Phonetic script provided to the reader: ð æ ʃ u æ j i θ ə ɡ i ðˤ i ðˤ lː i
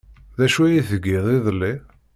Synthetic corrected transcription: ð æ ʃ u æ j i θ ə ɡ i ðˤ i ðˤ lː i